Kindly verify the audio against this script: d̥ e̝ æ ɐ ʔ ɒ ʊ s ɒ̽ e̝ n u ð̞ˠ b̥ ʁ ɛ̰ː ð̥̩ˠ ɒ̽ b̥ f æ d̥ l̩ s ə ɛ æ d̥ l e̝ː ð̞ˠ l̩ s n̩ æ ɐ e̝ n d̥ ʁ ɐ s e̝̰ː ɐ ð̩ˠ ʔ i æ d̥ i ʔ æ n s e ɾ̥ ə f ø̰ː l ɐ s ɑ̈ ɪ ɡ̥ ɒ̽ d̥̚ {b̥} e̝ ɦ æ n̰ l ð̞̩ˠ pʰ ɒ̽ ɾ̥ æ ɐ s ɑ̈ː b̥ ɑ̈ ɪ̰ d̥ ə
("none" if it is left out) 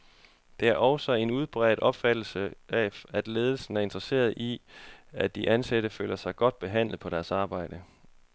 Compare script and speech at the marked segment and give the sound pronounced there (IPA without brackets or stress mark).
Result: b̥